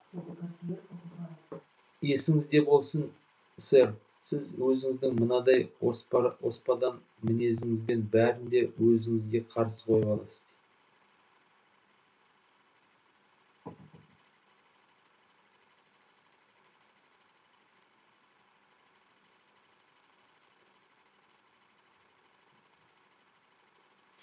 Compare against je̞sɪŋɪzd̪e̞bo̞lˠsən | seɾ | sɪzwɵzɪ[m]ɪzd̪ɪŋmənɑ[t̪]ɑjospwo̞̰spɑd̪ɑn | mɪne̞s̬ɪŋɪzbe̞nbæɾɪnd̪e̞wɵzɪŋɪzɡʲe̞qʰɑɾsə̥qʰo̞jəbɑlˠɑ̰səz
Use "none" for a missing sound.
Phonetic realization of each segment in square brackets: ŋ, d̪

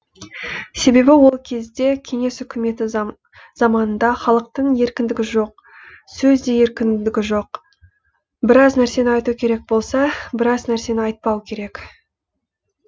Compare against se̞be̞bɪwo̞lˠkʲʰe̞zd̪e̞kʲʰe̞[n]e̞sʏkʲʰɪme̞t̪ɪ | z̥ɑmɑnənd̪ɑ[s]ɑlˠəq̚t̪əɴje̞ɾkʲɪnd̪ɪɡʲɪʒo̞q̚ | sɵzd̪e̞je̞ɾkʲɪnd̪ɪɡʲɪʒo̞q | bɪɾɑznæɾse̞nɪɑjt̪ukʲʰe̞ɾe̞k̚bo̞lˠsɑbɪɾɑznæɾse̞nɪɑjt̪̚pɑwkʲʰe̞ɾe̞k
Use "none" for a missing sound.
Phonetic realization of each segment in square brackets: ŋ, χ

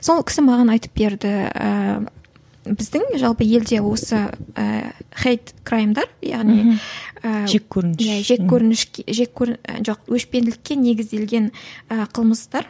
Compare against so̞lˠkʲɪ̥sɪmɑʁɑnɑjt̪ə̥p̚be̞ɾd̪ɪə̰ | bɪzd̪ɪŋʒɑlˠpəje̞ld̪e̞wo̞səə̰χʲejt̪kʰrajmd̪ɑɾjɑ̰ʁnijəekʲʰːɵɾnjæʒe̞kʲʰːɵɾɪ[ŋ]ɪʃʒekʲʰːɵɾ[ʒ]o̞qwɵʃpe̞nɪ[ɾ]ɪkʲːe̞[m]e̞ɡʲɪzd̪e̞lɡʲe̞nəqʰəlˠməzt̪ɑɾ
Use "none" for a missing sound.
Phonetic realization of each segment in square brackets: n, ʒ, l, n

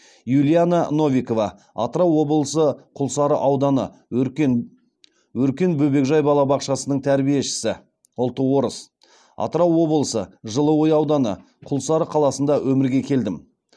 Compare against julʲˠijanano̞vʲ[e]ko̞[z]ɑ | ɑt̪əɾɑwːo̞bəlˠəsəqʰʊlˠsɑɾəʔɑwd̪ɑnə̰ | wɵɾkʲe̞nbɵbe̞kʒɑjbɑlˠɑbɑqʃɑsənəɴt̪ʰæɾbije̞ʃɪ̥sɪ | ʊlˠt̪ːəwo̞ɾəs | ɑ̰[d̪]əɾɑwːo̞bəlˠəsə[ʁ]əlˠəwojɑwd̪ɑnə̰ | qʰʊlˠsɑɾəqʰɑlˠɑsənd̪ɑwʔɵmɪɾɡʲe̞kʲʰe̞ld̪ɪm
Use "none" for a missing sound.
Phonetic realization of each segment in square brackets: i, v, t̪, ʒ

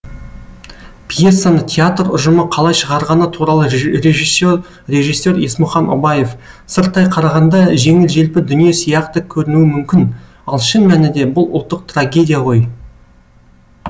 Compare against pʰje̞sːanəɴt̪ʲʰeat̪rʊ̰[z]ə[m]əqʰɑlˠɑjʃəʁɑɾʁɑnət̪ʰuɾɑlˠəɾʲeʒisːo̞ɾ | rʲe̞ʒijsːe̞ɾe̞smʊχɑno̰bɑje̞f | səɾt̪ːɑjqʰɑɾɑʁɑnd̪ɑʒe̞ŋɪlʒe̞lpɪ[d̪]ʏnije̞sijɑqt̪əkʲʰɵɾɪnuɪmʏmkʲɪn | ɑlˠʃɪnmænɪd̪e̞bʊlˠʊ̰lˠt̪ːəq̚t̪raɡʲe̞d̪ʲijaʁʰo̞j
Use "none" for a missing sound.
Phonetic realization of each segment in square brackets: ʒ, m, d̪

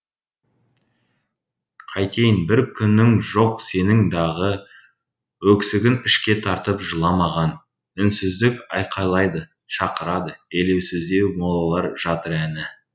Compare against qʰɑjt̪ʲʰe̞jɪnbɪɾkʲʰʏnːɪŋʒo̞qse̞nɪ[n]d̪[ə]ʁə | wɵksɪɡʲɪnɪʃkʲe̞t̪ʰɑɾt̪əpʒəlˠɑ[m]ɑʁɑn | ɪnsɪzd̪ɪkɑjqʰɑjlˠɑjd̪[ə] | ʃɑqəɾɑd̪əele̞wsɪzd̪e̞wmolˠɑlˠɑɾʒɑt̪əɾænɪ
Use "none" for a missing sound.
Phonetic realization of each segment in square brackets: ŋ, ɑ, m, ə

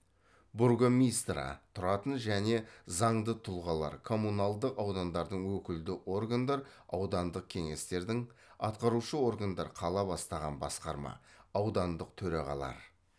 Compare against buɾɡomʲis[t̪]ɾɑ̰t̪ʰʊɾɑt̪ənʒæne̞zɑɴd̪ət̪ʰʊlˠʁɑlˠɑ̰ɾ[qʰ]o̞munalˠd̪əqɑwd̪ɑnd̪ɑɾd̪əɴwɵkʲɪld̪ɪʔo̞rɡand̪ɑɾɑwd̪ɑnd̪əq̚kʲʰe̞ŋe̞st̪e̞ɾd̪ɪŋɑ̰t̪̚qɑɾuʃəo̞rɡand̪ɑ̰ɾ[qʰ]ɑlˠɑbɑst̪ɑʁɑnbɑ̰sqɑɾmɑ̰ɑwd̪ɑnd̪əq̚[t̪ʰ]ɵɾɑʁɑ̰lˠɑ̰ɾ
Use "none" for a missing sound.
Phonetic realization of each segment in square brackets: t̪, kʰ, qʰ, t̪ʰ

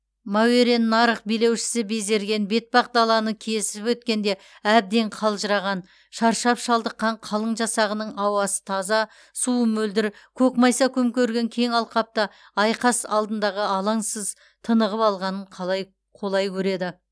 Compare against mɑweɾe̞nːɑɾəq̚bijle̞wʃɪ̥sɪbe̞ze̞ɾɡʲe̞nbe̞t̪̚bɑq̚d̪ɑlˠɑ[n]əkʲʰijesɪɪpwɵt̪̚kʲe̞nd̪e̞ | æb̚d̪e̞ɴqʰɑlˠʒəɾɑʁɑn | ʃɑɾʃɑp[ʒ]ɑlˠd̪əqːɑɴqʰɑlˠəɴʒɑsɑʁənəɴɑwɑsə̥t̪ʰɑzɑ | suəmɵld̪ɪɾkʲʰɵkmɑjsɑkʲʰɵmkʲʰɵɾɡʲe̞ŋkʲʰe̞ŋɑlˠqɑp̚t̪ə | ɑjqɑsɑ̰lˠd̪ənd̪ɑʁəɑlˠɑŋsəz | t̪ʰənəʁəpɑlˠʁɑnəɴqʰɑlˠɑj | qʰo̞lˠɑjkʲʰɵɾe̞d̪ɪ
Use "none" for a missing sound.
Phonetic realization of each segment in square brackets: n, ʃ

